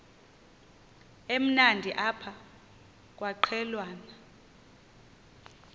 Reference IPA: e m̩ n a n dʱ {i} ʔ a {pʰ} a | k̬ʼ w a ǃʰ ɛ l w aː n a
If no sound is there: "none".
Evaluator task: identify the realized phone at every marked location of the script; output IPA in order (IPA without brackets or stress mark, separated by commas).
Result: i, pʰ